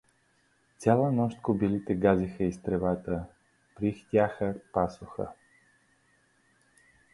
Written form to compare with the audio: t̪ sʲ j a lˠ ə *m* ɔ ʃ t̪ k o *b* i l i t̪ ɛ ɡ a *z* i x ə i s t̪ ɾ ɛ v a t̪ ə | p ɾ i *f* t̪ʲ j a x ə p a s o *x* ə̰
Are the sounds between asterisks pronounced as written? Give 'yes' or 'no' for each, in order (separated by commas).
no, yes, yes, no, yes